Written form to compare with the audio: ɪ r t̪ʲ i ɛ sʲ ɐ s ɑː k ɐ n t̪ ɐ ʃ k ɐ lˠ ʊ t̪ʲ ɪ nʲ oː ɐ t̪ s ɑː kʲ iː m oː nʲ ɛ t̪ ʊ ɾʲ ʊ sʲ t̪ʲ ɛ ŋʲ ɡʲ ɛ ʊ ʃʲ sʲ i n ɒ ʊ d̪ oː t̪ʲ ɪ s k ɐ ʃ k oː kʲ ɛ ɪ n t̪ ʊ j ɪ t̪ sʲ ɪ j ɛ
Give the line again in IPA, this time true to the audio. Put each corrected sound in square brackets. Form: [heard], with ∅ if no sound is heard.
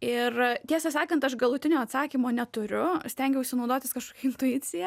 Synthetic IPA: ɪ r t̪ʲ i ɛ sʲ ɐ s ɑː k ɐ n t̪ ɐ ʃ [ɡ] ɐ lˠ ʊ t̪ʲ ɪ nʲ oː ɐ t̪ s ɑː kʲ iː m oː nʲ ɛ t̪ ʊ ɾʲ ʊ sʲ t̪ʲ ɛ ŋʲ ɡʲ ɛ ʊ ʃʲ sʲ [ɪ] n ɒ ʊ d̪ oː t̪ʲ ɪ s k ɐ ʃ k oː kʲ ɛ ɪ n t̪ ʊ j ɪ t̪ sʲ ɪ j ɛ